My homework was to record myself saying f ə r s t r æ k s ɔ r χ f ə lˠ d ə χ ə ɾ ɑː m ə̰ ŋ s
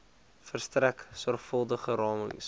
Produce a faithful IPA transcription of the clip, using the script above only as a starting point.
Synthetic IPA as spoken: f ə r s t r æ k s ɔ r χ f ə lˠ d ə χ ə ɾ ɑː m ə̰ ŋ s